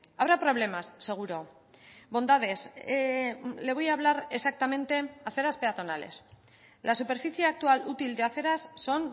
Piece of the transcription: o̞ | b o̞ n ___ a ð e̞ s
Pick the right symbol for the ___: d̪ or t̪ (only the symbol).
d̪